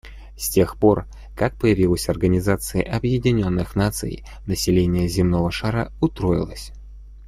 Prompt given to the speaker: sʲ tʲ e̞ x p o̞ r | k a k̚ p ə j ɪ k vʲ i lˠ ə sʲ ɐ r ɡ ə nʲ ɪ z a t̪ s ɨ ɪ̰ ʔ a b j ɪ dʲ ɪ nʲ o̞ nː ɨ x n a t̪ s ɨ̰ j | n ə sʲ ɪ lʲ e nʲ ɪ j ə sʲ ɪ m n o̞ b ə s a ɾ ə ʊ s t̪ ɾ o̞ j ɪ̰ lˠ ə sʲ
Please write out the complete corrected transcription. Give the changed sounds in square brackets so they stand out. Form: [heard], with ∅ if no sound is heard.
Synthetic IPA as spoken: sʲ tʲ e̞ x p o̞ r | k a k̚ p ə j ɪ [∅] vʲ i lˠ ə sʲ ɐ r ɡ ə nʲ ɪ z a t̪ s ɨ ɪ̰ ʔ [ɐ] b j ɪ dʲ ɪ nʲ o̞ nː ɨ x n a t̪ s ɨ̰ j | n ə sʲ ɪ lʲ e nʲ ɪ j ə [zʲ] ɪ m n o̞ [v] ə [ʂ] a ɾ ə ʊ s t̪ ɾ o̞ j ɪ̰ lˠ ə sʲ

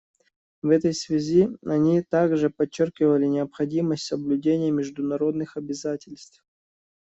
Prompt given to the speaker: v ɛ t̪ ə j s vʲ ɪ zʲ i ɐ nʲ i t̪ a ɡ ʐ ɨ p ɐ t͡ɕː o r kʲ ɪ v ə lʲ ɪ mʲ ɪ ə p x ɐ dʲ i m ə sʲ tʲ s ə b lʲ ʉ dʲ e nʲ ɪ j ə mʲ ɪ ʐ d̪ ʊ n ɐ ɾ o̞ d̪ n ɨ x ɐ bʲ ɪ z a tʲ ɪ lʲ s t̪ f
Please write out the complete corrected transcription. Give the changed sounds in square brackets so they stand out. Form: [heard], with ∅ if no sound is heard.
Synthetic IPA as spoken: v ɛ t̪ ə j s vʲ ɪ zʲ i ɐ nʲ i t̪ a ɡ ʐ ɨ p ɐ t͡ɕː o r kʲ ɪ v ə lʲ ɪ [nʲ] ɪ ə p x ɐ dʲ i m ə sʲ tʲ s ə b lʲ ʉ dʲ e nʲ ɪ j ə mʲ ɪ ʐ d̪ ʊ n ɐ ɾ o̞ d̪ n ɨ x ɐ bʲ ɪ z a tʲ ɪ lʲ s t̪ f

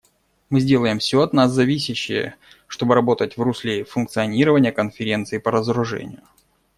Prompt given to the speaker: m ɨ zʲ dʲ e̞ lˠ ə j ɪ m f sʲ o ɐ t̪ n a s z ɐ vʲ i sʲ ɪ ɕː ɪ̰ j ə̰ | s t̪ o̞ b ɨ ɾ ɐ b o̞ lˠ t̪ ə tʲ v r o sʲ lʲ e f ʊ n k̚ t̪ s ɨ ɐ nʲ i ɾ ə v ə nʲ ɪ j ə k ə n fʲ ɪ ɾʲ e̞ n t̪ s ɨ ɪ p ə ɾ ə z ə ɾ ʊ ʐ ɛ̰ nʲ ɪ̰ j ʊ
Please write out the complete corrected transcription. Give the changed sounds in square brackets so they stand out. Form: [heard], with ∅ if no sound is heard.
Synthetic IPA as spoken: m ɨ zʲ dʲ e̞ lˠ ə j ɪ m f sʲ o ɐ t̪ n a s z ɐ vʲ i sʲ ɪ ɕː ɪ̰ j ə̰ | [ʂ] t̪ o̞ b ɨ ɾ ɐ b o̞ [∅] t̪ ə tʲ v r [u] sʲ lʲ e f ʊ n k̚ t̪ s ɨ ɐ nʲ i ɾ ə v ə nʲ ɪ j ə k ə n fʲ ɪ ɾʲ e̞ n t̪ s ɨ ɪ p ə ɾ ə z ə ɾ ʊ ʐ ɛ̰ nʲ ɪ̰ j ʊ

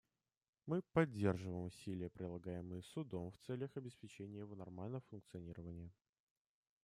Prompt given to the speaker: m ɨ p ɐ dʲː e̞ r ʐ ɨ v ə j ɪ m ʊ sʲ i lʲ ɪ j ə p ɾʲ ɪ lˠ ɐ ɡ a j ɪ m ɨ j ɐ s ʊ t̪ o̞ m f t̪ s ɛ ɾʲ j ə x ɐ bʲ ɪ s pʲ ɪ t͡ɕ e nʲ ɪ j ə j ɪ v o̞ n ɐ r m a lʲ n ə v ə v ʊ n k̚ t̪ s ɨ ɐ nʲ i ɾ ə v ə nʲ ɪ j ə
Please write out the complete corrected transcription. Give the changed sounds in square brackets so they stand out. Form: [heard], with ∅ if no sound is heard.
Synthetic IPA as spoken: m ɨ p ɐ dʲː e̞ r ʐ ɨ v ə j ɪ m ʊ sʲ i lʲ ɪ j ə p ɾʲ ɪ lˠ ɐ ɡ a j ɪ m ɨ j [ə] s ʊ [d̪] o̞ m f t̪ s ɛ [lʲ] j ə x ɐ bʲ ɪ s pʲ ɪ t͡ɕ e nʲ ɪ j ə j ɪ v o̞ n ɐ r m a lʲ n ə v ə [f] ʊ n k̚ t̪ s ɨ ɐ nʲ i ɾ ə v ə nʲ ɪ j ə

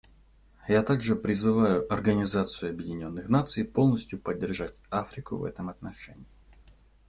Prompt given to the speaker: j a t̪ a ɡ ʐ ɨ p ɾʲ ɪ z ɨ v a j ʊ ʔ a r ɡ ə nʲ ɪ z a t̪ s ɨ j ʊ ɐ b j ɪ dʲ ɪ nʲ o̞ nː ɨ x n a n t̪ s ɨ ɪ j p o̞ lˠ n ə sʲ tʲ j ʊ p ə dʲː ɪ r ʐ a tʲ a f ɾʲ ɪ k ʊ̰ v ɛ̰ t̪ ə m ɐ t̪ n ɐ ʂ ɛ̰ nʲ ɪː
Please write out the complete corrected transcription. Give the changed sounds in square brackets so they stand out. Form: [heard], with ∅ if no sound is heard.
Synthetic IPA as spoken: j a t̪ a ɡ ʐ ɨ p ɾʲ ɪ z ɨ v a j ʊ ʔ [ɐ] r ɡ ə nʲ ɪ z a t̪ s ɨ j ʊ ɐ b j ɪ dʲ ɪ nʲ o̞ nː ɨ x n a [∅] t̪ s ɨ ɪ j p o̞ lˠ n ə sʲ tʲ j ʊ p ə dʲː ɪ r ʐ a tʲ a f ɾʲ ɪ k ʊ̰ v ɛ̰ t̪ ə m ɐ t̪ n ɐ ʂ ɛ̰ nʲ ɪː

